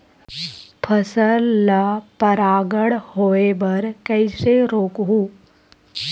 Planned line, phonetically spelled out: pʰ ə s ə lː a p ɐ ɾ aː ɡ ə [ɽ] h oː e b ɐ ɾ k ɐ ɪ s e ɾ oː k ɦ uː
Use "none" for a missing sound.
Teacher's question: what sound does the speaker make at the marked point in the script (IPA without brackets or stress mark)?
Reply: ɽ